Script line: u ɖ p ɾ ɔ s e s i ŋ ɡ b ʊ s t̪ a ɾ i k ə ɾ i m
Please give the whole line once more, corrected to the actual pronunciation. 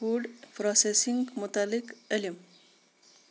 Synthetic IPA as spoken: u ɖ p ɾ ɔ s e s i ŋ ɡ m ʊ t̪ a l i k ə l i m